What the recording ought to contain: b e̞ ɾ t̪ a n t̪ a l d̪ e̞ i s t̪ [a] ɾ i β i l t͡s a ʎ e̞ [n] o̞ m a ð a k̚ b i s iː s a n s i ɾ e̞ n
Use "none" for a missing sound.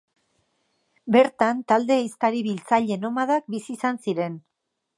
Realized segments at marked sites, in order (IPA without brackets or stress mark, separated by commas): a, n